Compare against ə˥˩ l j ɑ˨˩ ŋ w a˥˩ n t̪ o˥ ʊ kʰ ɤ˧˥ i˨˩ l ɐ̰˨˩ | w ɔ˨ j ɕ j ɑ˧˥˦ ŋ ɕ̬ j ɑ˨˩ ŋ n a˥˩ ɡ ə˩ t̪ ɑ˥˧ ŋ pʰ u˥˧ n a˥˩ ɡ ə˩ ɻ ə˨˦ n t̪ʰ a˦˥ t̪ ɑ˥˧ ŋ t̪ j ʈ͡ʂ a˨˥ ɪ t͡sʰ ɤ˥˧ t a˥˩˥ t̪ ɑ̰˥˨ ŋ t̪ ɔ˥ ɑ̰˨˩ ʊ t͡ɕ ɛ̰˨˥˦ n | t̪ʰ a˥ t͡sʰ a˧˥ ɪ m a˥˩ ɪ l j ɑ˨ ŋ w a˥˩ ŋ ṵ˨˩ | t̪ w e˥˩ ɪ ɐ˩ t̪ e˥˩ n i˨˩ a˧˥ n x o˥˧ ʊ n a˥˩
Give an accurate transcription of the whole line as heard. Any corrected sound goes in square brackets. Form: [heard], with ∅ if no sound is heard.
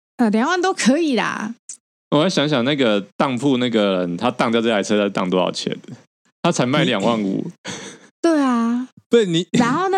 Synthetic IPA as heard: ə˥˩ l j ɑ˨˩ ŋ w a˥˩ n t̪ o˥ ʊ kʰ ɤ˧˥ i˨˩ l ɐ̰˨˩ | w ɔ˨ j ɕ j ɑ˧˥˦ ŋ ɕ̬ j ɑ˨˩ ŋ n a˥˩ ɡ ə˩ t̪ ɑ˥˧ ŋ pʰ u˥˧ n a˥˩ ɡ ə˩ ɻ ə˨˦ n t̪ʰ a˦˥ t̪ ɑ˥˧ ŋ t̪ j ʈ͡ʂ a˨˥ ɪ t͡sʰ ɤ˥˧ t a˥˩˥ t̪ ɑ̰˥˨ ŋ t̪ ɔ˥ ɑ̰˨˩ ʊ [t͡ɕʰ] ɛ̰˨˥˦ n | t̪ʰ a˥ t͡sʰ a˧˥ ɪ m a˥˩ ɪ l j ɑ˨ ŋ w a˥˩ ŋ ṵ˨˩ | t̪ w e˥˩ ɪ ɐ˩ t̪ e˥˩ n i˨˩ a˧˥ n x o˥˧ ʊ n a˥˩